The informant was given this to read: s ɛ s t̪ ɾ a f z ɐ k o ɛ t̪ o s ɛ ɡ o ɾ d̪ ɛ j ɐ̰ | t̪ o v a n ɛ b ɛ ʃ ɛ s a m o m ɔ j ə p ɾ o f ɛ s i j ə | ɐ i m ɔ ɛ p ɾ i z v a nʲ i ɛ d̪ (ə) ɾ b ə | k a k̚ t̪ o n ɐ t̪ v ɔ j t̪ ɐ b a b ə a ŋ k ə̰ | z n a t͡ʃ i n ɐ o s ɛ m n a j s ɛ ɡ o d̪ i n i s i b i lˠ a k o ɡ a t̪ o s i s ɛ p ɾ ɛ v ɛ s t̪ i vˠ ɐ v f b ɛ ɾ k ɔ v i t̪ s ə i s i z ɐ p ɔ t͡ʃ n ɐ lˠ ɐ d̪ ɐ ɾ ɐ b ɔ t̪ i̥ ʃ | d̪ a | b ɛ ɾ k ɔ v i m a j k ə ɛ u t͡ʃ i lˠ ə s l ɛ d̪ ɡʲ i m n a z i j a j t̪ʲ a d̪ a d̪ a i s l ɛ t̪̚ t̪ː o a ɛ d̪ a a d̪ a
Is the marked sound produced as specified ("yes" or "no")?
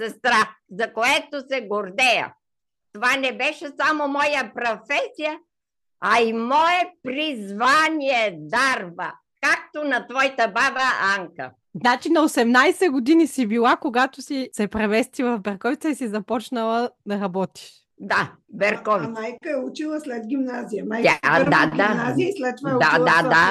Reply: no